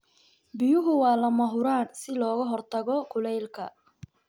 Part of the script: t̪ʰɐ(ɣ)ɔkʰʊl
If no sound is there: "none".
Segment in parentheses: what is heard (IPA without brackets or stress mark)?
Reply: ɣ